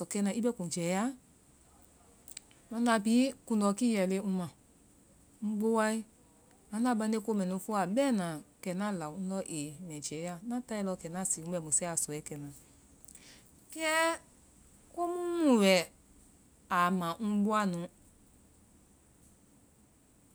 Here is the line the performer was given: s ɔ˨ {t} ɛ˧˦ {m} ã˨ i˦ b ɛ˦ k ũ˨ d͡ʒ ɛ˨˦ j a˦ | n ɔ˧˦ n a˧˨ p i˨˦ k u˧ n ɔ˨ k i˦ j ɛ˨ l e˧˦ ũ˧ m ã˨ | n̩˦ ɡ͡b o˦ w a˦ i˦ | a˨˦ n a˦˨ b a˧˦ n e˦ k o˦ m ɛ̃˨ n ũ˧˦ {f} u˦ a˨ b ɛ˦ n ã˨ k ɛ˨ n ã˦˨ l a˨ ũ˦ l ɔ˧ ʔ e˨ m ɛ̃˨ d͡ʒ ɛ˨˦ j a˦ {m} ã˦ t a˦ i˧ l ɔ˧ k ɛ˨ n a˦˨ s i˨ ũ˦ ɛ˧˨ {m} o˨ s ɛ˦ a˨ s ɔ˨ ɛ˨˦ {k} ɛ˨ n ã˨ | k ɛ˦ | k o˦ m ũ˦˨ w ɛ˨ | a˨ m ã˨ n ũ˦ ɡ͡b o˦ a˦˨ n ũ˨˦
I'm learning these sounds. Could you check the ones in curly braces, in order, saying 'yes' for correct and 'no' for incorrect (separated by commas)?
no, no, yes, no, yes, yes